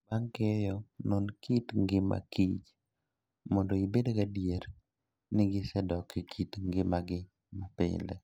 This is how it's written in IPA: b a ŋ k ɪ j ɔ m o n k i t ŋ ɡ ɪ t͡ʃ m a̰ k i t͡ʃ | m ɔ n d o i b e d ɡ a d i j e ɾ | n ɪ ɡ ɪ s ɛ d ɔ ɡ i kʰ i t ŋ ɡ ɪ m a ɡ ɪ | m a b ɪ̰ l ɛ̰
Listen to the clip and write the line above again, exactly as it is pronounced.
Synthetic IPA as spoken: b a ŋ k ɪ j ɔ n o n k i t ŋ ɡ ɪ m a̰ k i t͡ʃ | m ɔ n d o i b e d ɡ a d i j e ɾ | n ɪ ɡ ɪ s ɛ d ɔ k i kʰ i t ŋ ɡ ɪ m a ɡ ɪ | m a p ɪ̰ l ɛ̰